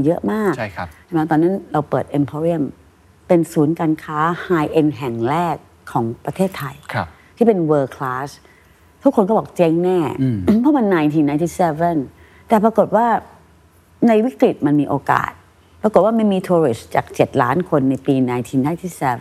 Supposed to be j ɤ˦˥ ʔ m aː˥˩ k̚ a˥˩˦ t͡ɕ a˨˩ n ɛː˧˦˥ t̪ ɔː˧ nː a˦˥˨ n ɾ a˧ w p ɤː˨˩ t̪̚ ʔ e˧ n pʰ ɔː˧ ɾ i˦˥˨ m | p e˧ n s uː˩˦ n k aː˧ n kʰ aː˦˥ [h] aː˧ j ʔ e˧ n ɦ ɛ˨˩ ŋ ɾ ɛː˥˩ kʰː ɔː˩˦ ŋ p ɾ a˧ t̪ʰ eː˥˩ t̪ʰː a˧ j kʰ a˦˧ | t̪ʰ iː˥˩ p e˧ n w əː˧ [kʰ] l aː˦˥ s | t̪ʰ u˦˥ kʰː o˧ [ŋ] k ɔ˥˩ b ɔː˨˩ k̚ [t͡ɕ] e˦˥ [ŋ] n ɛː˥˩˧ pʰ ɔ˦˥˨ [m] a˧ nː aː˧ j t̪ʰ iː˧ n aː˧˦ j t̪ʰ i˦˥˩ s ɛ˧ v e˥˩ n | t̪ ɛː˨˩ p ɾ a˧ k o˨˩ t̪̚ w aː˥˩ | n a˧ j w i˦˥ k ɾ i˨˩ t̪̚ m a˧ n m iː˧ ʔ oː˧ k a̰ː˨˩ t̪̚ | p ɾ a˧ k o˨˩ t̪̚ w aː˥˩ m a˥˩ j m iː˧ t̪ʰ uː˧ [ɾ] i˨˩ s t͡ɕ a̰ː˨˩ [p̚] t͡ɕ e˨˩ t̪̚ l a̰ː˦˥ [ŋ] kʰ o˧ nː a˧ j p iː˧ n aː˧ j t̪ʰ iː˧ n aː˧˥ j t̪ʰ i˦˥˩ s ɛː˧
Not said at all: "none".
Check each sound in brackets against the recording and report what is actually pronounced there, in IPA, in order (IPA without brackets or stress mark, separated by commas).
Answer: h, kʰ, n, t͡ɕ, ŋ, m, ɾ, k̚, n